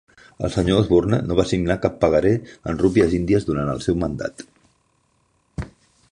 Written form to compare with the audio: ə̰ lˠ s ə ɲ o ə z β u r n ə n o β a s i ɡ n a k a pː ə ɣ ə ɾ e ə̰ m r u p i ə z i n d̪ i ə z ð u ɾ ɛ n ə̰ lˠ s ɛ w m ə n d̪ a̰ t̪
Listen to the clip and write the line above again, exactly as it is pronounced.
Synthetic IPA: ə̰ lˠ s ə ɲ o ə z β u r n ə n o β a s i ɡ n a k a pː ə ɣ ə ɾ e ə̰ n r u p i ə z i n d̪ i ə z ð u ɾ a n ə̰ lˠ s ɛ w m ə n d̪ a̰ t̪